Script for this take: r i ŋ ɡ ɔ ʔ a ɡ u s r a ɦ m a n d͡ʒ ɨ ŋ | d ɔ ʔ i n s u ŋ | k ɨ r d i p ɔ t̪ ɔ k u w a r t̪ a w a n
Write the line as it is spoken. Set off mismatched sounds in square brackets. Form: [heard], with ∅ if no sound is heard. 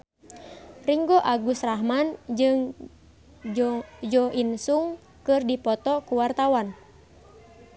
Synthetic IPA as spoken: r i ŋ ɡ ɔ ʔ a ɡ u s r a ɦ m a n d͡ʒ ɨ ŋ | [d͡ʒ] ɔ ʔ i n s u ŋ | k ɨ r d i p ɔ t̪ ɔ k u w a r t̪ a w a n